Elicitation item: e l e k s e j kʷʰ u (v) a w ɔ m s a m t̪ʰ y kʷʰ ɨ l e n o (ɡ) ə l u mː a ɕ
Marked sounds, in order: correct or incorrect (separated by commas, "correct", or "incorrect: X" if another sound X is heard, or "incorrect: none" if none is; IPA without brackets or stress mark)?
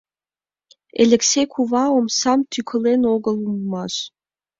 correct, correct